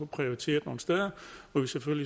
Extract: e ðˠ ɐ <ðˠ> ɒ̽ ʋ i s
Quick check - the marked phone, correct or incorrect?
incorrect